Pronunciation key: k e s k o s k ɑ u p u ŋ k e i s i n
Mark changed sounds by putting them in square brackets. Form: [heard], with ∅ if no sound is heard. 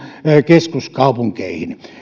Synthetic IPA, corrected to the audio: k e s k [u] s k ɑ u p u ŋ k e i [h] i n